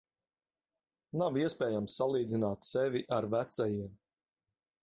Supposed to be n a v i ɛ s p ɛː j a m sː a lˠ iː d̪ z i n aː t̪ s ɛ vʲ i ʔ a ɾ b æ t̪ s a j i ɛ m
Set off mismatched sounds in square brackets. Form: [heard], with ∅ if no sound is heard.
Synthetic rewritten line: n a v i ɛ s p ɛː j a m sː a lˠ iː d̪ z i n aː t̪ s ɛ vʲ i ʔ a ɾ [v] æ t̪ s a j i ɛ m